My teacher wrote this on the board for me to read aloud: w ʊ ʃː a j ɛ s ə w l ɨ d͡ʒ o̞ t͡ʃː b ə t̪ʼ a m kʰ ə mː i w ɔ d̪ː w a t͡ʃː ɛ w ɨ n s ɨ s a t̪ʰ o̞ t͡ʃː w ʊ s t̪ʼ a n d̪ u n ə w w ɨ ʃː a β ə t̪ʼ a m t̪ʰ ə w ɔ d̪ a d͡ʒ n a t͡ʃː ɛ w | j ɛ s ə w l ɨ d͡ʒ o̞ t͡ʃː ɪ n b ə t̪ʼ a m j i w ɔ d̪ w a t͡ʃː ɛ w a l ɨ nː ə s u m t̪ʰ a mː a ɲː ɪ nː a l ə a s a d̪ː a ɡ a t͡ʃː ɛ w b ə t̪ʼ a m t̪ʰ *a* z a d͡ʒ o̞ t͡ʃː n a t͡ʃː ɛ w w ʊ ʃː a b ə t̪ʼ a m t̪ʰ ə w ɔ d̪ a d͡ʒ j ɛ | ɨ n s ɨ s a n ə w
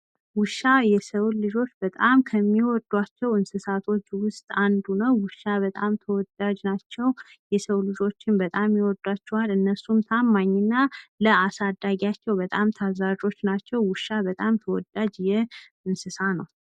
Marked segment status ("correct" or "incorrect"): correct